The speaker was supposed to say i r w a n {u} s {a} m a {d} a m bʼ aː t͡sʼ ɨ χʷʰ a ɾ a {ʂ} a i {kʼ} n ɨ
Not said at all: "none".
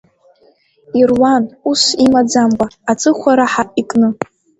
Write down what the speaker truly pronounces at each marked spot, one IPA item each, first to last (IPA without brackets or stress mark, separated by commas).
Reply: u, i, d͡z, ħ, kʼ